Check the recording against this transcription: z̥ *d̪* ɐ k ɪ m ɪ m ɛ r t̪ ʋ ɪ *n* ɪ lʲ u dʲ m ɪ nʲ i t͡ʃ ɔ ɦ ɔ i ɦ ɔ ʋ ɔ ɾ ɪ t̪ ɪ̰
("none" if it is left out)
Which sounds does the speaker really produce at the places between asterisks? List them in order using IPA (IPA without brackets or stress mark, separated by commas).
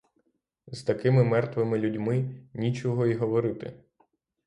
t̪, m